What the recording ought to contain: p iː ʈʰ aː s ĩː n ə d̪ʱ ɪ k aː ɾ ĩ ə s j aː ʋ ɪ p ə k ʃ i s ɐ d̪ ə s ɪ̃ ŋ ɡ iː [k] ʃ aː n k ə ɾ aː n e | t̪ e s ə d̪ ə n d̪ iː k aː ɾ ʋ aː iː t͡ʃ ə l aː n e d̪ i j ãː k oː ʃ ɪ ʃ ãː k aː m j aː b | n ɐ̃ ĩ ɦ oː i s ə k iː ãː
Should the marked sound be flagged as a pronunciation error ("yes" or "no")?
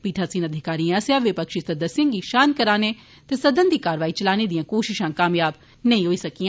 yes